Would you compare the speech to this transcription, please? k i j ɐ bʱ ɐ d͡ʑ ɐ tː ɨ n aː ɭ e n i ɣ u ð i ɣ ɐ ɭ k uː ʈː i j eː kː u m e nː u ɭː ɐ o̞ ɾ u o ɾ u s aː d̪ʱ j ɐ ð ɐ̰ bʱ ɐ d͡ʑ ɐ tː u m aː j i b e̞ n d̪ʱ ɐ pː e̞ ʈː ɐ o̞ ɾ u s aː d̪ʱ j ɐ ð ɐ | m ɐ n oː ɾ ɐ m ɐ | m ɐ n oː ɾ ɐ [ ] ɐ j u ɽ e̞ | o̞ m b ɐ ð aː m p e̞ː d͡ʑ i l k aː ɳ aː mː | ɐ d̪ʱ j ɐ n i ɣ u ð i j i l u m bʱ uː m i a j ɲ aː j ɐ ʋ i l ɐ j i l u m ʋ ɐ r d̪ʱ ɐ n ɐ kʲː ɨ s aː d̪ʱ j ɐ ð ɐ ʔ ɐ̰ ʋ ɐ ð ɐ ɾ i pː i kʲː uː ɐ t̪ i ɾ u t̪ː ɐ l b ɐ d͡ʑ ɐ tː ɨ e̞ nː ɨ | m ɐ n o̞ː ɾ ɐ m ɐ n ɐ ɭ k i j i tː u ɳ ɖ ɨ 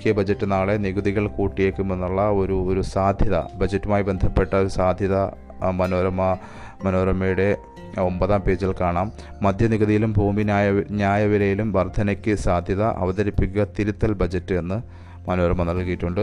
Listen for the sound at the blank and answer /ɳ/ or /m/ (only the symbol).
m